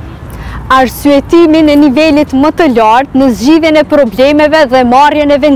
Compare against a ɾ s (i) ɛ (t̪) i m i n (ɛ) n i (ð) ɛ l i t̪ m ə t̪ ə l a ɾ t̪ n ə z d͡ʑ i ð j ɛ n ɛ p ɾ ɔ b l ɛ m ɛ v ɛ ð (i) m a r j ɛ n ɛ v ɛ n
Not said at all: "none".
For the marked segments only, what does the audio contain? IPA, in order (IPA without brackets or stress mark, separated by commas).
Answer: y, t̪, ɛ, v, ɛ